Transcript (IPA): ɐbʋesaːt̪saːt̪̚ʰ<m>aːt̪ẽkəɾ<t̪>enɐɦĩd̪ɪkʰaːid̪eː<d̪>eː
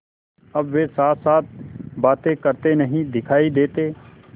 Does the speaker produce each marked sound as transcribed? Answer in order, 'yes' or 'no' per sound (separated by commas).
no, yes, no